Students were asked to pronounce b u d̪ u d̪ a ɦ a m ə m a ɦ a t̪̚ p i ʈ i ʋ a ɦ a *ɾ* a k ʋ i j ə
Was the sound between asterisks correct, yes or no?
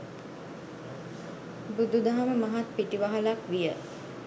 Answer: no